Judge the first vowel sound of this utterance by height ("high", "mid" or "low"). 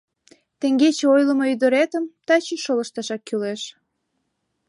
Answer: mid